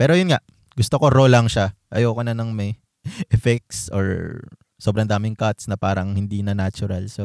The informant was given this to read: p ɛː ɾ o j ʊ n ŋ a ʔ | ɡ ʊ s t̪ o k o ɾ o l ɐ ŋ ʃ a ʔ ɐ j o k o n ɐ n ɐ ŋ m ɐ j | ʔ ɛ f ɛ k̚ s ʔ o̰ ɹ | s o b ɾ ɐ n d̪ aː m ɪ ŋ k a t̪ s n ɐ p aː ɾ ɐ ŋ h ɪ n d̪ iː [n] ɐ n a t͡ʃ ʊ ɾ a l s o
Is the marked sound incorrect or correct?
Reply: correct